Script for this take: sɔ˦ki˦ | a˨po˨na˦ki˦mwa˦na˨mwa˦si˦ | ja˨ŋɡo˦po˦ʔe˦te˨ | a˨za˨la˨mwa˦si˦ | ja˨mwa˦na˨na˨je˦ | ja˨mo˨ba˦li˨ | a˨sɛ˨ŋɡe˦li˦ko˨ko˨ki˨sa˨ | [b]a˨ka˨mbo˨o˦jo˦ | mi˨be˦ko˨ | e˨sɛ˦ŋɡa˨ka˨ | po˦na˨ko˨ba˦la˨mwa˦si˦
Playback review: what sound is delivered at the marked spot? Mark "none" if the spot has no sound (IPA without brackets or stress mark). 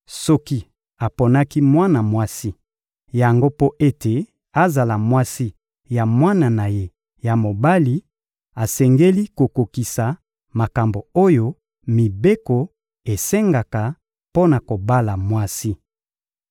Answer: m